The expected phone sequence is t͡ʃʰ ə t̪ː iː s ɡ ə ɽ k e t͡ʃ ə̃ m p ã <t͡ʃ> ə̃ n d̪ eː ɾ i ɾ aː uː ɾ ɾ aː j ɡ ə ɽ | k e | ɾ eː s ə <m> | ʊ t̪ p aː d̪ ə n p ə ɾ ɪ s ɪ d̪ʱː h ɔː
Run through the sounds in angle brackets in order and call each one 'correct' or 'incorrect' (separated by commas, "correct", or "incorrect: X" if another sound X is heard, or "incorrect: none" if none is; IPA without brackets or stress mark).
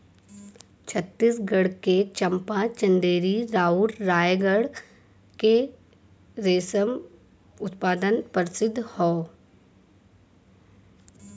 correct, correct